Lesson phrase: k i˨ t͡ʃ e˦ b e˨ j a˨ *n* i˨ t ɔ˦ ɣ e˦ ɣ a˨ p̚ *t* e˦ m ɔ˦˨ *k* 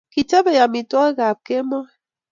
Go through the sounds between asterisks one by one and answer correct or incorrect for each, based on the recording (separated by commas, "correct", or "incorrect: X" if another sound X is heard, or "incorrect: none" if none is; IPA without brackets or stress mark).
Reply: incorrect: m, incorrect: k, incorrect: none